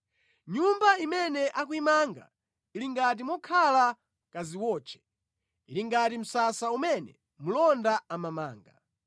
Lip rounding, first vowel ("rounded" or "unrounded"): rounded